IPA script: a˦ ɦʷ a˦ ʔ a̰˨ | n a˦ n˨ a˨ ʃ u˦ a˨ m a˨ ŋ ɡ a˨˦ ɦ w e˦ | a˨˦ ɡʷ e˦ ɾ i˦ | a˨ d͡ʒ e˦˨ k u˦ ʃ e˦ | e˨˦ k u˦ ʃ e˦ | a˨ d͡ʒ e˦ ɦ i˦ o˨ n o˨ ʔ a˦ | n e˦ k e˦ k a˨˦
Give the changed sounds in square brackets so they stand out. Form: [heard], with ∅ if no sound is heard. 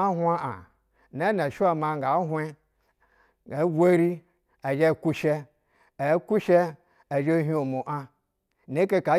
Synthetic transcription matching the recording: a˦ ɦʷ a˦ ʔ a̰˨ | n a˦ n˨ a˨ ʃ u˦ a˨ m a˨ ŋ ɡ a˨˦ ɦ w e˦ | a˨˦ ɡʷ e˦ ɾ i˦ | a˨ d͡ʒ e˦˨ k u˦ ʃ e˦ | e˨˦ k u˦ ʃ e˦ | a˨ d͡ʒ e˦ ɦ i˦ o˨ [m] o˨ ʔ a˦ | n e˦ k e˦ k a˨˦